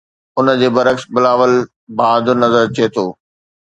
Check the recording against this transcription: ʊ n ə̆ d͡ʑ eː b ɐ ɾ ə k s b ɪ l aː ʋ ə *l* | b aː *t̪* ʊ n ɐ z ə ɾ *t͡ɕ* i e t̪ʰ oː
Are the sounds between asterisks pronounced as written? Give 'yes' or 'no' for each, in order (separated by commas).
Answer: yes, no, yes